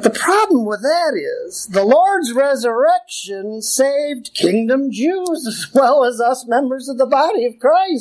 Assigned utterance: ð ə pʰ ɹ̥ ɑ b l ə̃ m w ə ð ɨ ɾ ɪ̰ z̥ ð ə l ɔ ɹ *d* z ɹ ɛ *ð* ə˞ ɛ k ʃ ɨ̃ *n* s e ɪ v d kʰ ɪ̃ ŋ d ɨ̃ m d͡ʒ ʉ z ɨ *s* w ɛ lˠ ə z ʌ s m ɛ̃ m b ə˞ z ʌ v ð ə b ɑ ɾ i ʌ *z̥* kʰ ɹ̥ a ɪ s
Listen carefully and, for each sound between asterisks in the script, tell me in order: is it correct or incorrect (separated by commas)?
correct, incorrect, correct, incorrect, incorrect